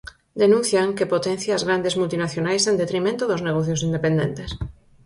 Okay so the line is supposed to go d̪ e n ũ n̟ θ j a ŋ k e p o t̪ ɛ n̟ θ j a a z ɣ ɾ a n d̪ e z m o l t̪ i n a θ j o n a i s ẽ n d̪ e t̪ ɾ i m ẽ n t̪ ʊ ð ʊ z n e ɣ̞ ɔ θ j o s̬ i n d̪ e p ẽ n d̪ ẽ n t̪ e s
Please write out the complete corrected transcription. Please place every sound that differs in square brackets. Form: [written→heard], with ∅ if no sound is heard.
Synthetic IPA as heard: d̪ e n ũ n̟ θ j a ŋ k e p o t̪ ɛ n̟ θ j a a z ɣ ɾ a n d̪ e z m [o→u] l t̪ i n a θ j o n a [i→j] s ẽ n d̪ e t̪ ɾ i m ẽ n t̪ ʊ ð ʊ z n e ɣ̞ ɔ θ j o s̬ i n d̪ e p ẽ n d̪ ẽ n t̪ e s